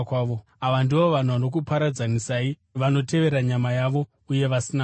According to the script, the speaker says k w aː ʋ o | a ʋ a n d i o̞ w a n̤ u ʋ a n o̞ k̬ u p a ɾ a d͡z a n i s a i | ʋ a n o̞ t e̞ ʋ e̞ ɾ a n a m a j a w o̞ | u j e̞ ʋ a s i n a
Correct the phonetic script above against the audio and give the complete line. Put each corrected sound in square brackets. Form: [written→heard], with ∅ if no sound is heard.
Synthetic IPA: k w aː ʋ o | a ʋ a n d i o̞ [w→ʋ] a n̤ u ʋ a n o̞ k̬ u p a ɾ a d͡z a n i s a i | ʋ a n o̞ t e̞ ʋ e̞ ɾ a [n→ɲ] a m a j a [w→ʋ] o̞ | u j e̞ ʋ a s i n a